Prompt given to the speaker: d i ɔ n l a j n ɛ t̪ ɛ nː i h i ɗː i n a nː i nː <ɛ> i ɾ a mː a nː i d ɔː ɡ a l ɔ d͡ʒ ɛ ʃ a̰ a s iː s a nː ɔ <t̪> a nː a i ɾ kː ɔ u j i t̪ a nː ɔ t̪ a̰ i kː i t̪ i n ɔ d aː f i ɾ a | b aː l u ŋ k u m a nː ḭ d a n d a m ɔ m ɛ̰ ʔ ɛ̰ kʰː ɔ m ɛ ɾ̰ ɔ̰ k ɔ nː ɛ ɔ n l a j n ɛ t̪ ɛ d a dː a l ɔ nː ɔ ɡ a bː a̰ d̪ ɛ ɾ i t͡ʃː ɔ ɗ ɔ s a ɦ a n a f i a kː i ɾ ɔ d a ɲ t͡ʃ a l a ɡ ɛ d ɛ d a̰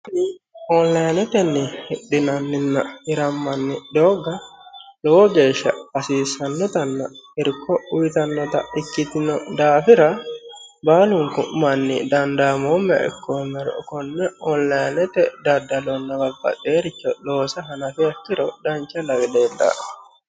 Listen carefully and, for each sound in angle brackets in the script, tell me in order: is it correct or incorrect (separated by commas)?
incorrect, correct